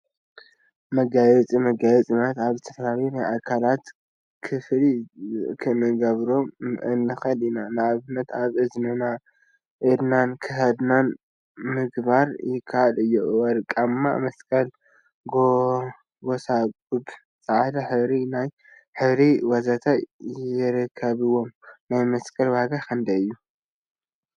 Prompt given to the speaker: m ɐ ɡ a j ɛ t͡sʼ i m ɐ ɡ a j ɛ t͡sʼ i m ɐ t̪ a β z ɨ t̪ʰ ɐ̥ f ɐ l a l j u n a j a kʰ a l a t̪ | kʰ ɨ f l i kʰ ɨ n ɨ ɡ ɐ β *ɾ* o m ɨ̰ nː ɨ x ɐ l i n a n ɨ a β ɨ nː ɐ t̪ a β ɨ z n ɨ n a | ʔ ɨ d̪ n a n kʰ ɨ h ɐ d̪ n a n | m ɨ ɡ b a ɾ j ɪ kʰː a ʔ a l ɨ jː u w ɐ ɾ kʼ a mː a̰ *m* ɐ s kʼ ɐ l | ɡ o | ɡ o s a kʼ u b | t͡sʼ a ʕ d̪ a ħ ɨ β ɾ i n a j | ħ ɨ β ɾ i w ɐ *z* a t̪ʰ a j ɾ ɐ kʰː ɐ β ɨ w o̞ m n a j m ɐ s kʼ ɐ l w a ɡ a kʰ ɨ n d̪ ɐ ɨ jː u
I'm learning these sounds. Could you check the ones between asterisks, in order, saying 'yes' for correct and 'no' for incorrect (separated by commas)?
yes, yes, yes